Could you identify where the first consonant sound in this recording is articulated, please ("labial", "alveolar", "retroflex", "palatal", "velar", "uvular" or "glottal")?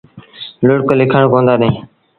alveolar